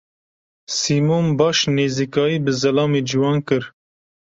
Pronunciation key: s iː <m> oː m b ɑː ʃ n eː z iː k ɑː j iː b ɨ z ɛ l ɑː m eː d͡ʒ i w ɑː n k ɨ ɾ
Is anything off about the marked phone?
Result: no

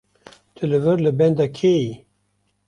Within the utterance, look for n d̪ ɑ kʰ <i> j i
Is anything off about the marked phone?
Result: yes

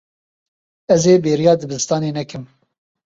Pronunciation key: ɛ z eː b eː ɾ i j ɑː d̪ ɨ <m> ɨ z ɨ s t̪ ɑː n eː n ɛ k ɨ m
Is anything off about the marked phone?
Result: yes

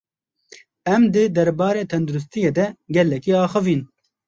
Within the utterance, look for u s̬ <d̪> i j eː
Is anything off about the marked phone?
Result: yes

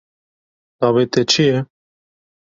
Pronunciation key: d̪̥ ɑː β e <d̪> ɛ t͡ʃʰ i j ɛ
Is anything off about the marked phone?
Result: yes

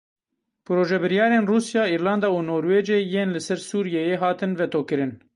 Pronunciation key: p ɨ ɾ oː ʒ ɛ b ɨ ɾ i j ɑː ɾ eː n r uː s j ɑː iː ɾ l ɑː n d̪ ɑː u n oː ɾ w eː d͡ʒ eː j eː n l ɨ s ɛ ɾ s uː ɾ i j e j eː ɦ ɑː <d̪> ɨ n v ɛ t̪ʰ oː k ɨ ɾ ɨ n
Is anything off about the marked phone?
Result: yes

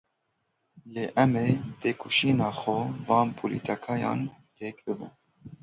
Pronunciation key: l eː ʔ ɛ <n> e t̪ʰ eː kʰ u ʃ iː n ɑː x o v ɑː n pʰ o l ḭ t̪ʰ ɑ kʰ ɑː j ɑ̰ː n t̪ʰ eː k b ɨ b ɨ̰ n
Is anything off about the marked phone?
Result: yes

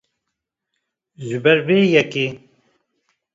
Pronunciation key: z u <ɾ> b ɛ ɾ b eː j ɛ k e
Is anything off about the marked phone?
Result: yes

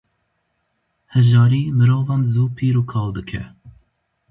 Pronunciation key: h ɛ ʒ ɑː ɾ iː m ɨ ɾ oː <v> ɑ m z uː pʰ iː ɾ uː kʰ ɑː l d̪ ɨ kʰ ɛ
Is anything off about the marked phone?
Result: no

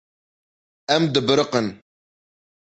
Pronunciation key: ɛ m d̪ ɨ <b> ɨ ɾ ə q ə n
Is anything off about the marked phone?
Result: no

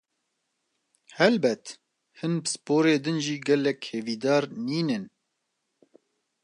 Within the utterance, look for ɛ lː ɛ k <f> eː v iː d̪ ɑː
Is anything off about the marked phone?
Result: yes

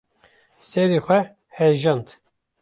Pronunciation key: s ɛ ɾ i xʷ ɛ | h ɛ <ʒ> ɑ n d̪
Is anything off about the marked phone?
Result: no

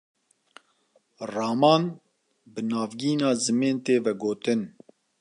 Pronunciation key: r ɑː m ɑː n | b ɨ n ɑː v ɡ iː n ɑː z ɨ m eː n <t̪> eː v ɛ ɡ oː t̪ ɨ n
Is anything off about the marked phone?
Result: no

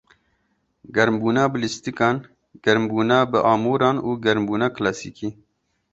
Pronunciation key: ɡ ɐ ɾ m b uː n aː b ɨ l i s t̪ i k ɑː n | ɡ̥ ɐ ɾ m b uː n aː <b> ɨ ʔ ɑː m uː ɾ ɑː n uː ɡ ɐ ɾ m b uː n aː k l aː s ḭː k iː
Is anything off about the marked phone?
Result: no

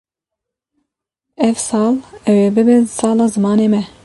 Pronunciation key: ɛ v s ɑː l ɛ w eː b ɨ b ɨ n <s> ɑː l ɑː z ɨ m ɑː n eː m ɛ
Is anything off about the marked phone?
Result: no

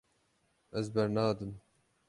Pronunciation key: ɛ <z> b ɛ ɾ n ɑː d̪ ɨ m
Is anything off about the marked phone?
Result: no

